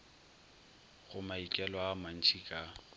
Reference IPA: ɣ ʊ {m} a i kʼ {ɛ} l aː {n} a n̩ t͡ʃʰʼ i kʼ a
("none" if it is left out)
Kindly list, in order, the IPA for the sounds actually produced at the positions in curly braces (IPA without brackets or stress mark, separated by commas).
m, ɛ, m